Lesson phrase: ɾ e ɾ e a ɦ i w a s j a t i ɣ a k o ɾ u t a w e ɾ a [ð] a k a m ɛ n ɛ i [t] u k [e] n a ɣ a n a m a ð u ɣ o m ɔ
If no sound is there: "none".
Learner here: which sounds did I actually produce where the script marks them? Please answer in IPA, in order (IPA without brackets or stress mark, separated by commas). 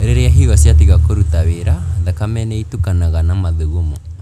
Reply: ð, t, a